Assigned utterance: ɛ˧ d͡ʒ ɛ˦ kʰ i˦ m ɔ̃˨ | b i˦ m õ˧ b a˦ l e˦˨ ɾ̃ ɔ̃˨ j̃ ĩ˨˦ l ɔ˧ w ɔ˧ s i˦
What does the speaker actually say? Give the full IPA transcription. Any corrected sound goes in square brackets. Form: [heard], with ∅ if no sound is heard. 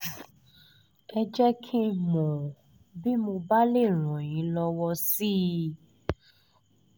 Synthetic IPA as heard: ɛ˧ d͡ʒ ɛ˦ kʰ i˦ m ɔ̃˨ | b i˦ m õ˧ b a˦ l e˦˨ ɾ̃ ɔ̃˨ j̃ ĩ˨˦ l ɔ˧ w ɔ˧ s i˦